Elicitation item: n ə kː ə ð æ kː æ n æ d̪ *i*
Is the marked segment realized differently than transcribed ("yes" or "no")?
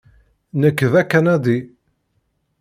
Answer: no